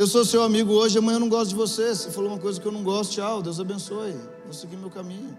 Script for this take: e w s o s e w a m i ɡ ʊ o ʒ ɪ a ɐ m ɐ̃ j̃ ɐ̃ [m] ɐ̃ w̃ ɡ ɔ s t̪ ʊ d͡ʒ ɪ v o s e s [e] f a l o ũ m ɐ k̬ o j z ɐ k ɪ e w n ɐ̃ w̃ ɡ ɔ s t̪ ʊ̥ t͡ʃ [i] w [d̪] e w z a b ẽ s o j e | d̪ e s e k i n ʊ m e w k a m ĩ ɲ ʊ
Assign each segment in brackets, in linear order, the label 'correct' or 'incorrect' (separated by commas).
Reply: incorrect, correct, incorrect, correct